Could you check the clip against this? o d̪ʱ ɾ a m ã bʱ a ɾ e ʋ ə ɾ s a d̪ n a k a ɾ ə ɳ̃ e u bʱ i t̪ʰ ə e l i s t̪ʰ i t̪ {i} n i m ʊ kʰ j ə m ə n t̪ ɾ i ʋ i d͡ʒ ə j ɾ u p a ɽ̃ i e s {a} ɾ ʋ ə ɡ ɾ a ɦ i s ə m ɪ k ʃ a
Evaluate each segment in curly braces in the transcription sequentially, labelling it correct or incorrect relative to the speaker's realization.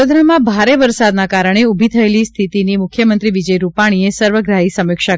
correct, incorrect

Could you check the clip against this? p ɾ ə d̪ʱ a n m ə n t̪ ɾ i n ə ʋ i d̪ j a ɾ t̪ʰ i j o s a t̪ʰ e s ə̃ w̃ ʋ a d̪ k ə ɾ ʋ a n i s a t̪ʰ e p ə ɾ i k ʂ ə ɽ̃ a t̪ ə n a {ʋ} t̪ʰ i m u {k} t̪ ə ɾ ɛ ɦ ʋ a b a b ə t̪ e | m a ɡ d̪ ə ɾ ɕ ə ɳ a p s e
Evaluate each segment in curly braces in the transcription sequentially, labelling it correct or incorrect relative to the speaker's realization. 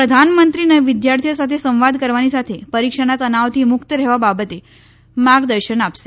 correct, correct

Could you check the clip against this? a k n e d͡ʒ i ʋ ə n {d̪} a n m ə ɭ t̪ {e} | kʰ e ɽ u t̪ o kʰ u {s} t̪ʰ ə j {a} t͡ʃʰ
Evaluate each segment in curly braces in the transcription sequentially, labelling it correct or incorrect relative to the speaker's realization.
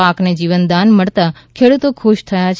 correct, incorrect, incorrect, correct

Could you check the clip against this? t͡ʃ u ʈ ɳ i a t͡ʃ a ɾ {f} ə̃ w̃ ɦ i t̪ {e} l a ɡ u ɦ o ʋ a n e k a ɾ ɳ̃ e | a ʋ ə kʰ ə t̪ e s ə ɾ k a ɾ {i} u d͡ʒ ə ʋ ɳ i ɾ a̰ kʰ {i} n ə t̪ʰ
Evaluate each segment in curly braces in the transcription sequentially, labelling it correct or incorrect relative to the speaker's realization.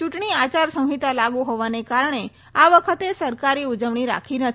incorrect, incorrect, correct, correct

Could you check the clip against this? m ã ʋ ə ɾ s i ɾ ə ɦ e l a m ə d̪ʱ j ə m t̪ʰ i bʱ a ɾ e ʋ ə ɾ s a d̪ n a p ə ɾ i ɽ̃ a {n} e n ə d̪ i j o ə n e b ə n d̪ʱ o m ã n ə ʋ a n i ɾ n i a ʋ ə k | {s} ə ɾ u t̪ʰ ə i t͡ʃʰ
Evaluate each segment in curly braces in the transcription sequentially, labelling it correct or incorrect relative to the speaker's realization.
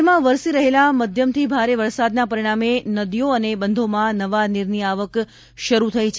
incorrect, incorrect

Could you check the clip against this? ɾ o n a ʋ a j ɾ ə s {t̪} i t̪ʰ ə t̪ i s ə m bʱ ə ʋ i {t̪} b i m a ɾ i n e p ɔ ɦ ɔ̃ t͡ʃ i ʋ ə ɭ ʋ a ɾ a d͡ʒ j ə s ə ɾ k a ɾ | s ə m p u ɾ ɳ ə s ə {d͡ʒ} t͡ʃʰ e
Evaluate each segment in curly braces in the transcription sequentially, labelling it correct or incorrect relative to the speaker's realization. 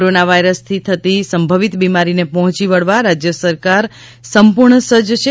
incorrect, correct, correct

